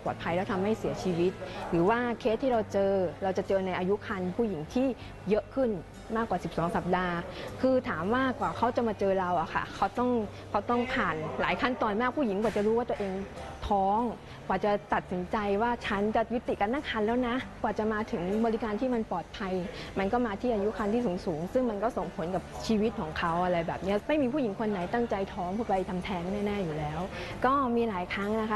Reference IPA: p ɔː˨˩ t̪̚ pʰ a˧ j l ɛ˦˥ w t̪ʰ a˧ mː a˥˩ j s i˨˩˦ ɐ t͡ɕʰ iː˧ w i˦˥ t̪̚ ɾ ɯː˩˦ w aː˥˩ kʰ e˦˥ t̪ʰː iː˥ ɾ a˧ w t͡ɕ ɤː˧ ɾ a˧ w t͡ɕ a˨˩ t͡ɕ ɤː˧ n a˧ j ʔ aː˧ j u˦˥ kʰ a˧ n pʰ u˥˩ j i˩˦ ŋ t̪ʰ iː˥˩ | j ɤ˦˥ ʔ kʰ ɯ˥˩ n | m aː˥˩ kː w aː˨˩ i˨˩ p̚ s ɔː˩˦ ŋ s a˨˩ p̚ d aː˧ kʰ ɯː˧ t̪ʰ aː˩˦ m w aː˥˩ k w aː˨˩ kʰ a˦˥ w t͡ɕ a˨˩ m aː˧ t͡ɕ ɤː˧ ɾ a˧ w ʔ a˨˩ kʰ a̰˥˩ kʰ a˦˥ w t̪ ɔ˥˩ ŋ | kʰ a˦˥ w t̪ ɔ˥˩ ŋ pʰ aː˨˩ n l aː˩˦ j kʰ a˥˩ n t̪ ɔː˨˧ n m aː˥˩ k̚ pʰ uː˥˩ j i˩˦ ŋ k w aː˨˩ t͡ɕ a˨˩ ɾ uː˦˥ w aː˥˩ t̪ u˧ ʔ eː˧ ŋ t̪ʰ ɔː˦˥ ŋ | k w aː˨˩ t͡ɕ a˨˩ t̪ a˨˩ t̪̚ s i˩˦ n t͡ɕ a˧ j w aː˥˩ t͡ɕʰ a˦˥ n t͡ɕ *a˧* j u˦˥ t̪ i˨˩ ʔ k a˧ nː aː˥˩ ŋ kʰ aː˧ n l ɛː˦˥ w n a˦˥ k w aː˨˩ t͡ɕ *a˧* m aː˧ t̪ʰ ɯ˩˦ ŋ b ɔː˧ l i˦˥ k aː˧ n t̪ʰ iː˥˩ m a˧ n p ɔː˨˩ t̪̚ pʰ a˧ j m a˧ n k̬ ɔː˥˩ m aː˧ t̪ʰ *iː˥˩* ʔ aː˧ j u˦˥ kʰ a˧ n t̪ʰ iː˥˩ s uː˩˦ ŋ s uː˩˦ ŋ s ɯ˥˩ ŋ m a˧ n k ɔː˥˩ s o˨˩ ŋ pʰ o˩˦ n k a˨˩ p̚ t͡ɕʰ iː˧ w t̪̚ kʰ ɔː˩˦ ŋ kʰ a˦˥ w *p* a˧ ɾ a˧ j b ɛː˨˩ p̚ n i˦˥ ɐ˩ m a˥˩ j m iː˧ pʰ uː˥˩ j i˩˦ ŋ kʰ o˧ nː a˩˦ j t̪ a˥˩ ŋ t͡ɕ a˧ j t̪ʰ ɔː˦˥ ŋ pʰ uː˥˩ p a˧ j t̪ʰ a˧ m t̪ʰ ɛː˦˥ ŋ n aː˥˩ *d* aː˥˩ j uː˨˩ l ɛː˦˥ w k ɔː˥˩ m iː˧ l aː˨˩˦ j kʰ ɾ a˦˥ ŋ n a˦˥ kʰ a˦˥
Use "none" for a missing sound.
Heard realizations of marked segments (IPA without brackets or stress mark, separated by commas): a˨˩, a˨˩, iː˥˩, ʔ, n